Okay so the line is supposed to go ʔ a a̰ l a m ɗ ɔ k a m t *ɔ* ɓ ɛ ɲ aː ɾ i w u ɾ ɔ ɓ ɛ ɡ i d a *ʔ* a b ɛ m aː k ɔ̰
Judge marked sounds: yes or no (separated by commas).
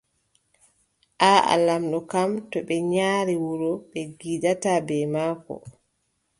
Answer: yes, no